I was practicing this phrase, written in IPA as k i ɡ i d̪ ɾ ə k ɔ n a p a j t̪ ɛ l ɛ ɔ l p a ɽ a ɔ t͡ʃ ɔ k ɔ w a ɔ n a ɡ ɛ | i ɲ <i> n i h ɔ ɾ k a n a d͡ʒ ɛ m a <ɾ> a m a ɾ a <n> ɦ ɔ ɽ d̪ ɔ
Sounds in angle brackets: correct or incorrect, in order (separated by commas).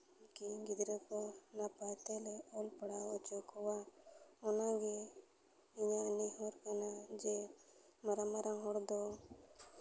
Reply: incorrect, correct, incorrect